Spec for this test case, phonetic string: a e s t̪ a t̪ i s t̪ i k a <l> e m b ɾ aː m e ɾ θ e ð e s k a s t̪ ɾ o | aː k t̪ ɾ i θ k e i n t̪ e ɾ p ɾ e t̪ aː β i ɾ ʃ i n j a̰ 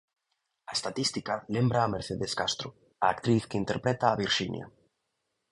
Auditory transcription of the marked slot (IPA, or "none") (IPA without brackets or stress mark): l